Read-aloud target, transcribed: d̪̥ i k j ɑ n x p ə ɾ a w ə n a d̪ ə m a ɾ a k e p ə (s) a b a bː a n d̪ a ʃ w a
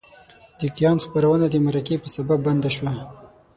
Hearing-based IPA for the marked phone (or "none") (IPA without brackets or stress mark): s